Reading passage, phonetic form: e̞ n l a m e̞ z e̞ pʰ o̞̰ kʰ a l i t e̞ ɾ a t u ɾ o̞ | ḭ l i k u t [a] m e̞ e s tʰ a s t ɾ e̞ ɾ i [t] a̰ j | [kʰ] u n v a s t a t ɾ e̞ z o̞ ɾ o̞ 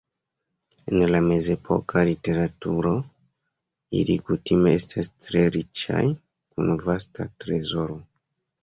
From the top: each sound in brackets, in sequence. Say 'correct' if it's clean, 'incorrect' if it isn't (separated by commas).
incorrect, incorrect, incorrect